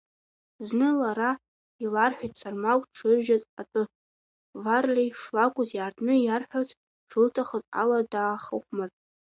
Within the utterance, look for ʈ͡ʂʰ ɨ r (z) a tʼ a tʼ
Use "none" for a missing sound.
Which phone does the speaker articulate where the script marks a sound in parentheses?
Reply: ʒ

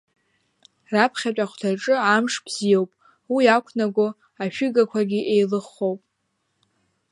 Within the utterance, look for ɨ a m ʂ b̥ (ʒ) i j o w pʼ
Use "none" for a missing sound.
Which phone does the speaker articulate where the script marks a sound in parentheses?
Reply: z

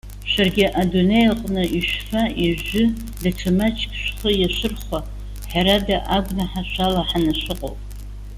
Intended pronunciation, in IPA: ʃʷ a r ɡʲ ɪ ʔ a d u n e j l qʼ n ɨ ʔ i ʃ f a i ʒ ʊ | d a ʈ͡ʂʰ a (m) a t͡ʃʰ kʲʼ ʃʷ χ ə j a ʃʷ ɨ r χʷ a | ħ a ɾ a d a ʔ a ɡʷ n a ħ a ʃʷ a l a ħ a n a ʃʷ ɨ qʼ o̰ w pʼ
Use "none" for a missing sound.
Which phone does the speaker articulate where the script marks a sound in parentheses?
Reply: m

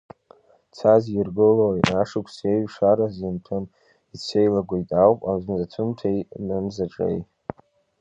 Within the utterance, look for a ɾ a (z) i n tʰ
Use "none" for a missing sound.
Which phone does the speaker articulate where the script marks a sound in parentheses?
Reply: z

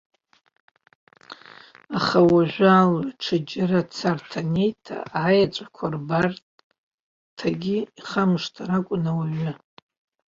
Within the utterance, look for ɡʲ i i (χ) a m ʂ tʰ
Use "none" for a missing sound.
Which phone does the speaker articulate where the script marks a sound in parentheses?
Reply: χ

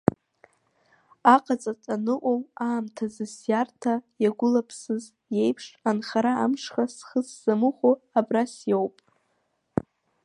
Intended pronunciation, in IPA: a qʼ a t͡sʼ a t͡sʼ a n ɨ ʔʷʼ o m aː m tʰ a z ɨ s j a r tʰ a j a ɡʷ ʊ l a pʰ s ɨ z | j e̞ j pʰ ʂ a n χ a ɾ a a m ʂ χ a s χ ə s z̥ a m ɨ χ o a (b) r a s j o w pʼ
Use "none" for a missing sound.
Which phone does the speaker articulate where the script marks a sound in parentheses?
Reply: b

